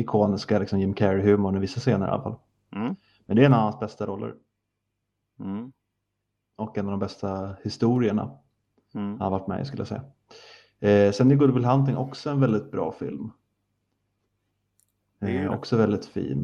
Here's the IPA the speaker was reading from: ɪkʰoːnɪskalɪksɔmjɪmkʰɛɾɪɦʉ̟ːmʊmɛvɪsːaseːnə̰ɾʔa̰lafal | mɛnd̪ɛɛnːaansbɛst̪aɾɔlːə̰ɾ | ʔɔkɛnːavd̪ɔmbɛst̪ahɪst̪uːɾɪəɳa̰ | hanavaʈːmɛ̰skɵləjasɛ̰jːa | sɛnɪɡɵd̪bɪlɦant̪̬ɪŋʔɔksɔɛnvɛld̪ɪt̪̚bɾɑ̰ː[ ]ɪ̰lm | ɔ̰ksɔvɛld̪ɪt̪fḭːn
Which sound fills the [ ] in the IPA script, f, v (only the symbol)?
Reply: f